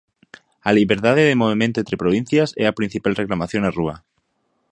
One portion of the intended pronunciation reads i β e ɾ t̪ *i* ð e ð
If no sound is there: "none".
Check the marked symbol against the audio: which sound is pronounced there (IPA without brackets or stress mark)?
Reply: a